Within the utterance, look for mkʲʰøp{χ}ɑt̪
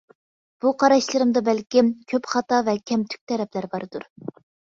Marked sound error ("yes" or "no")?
no